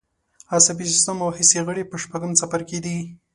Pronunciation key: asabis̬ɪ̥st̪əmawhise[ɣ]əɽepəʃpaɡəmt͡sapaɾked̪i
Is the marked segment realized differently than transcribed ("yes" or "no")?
no